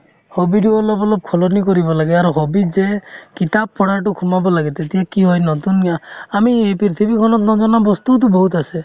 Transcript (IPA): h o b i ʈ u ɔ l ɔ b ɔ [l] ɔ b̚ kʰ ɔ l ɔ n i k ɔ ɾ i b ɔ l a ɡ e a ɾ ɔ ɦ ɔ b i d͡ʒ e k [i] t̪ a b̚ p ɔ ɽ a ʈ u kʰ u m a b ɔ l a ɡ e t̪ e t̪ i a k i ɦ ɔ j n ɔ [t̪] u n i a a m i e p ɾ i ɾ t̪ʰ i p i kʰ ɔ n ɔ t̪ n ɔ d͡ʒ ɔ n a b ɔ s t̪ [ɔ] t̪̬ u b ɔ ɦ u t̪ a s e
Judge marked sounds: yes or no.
yes, yes, yes, no

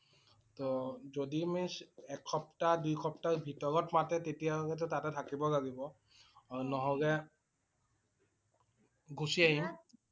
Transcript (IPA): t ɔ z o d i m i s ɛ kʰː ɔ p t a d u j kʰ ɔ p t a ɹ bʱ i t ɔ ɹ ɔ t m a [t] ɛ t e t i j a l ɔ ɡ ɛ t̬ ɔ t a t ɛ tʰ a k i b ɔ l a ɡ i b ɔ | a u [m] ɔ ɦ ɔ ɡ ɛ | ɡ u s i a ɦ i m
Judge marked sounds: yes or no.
yes, no

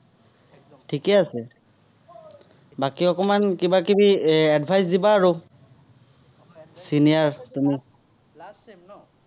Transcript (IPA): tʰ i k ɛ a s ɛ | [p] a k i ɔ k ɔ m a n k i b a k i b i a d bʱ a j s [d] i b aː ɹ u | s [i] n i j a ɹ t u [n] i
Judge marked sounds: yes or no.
no, yes, yes, no

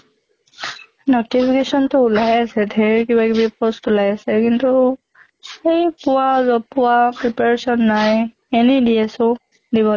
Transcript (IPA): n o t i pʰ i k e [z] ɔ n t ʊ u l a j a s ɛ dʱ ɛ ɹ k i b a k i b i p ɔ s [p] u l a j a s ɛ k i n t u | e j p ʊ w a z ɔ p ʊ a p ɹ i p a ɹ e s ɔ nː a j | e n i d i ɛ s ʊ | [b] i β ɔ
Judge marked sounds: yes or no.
no, no, no

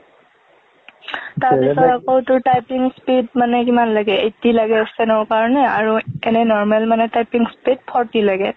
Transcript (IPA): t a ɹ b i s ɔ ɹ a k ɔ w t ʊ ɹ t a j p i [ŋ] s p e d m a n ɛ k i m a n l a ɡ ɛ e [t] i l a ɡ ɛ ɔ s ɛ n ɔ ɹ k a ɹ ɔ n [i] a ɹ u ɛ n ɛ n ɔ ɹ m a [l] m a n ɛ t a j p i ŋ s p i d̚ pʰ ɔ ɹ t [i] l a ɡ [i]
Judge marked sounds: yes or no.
yes, yes, no, yes, yes, no

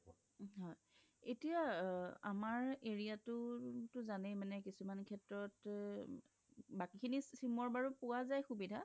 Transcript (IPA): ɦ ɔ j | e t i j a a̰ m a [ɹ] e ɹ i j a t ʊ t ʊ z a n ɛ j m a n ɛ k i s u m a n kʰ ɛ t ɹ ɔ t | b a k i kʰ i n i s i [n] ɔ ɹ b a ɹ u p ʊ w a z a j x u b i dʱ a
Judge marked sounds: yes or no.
yes, no

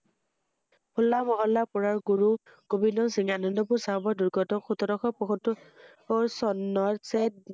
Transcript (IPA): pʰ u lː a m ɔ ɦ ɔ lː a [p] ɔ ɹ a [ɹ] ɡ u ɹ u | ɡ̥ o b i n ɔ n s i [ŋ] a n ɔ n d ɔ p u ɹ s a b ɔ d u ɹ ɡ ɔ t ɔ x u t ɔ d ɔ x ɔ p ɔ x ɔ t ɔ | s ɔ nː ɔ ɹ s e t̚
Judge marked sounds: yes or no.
yes, yes, yes

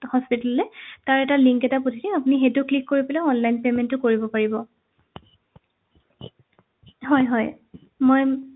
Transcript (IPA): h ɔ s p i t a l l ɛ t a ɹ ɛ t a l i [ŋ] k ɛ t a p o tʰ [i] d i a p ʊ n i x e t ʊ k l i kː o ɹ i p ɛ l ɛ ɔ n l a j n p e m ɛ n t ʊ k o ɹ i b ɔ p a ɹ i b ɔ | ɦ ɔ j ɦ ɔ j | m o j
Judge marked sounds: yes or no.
yes, yes

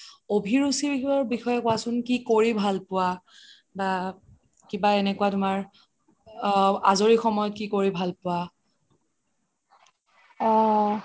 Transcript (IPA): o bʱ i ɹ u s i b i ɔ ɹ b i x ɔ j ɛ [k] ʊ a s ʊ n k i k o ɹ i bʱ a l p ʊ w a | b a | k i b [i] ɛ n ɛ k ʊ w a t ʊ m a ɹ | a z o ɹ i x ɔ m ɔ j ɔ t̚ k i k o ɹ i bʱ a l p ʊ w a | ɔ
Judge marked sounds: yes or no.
yes, no

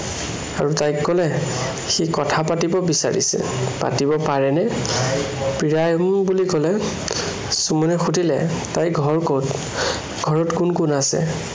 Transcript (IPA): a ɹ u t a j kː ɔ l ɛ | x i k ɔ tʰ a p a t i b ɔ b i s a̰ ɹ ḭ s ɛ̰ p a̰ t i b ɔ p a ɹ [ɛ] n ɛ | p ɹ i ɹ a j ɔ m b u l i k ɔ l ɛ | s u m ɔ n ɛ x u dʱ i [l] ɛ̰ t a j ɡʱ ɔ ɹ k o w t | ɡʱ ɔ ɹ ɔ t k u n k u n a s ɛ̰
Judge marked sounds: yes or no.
yes, yes

